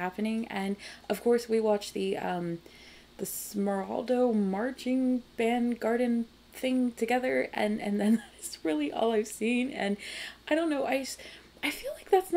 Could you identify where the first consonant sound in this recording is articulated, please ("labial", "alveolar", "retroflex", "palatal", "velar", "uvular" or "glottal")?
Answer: labial